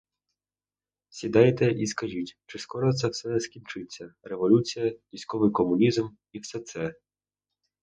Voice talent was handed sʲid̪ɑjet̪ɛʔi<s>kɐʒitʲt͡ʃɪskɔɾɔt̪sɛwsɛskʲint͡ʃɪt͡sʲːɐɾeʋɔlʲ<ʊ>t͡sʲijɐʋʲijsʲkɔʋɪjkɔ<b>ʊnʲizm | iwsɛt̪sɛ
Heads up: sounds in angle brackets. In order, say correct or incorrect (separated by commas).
correct, incorrect, incorrect